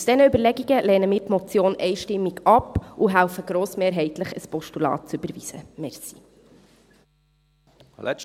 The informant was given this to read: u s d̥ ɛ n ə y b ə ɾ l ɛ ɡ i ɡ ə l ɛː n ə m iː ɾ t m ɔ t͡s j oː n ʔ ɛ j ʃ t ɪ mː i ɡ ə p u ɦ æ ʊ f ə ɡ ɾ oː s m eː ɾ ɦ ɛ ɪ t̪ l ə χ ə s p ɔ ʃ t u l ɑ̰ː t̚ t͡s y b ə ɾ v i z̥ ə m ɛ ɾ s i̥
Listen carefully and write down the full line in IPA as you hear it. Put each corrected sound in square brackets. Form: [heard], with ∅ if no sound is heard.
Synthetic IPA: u s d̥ ɛ n ə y b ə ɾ l ɛ ɡ i ɡ ə l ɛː n ə m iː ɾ t m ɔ t͡s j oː n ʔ ɛ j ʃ t ɪ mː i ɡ [ɑ] p u ɦ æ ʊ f ə ɡ ɾ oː s m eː ɾ ɦ ɛ ɪ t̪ l ə χ ə s p ɔ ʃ t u l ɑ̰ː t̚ t͡s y b ə ɾ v i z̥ ə m ɛ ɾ s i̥